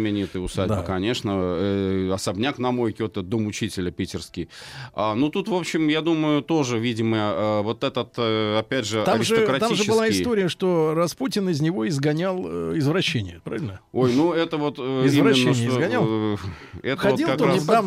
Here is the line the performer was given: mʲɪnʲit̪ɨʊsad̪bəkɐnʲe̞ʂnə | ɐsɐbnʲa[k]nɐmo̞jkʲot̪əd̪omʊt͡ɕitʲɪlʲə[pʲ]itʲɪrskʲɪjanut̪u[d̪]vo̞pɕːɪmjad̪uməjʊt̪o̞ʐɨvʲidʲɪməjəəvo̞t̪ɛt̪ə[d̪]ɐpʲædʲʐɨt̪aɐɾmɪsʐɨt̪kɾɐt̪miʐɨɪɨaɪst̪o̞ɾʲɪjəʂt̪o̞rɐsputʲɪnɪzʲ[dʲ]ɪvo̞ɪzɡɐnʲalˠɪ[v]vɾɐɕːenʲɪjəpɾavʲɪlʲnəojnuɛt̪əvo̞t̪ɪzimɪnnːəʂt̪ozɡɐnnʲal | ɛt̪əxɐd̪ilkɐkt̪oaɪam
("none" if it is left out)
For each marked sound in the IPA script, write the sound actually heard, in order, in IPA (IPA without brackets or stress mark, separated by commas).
k, pʲ, t̪, t̪, nʲ, z